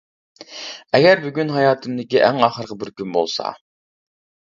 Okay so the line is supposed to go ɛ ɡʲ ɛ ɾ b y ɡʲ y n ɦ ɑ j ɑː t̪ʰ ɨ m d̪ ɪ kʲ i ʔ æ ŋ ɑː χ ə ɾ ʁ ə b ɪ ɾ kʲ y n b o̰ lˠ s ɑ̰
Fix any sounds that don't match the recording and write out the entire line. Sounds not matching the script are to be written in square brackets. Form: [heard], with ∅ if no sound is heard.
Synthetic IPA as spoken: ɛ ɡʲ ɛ ɾ b y ɡʲ y n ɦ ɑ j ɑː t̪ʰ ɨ m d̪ ɪ kʲ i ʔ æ ŋ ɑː χ ə ɾ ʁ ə b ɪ ɾ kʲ y n b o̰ lˠ s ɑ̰